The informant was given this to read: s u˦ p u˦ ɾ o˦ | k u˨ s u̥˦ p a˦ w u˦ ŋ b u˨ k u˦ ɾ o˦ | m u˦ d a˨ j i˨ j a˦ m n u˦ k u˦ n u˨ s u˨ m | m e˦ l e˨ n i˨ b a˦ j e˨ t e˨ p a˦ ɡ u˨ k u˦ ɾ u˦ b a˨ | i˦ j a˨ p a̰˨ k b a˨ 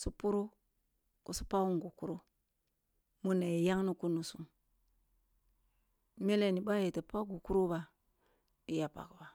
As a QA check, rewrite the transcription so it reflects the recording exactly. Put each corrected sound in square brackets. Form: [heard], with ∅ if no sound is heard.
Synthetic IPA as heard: s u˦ p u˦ ɾ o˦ | k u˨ s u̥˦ p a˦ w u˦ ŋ [ɡ] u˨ k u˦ ɾ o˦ | m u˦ [n] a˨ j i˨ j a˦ [ŋ] n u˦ k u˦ n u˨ s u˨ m | m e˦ l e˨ n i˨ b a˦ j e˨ t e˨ p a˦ ɡ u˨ k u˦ ɾ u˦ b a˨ | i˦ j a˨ p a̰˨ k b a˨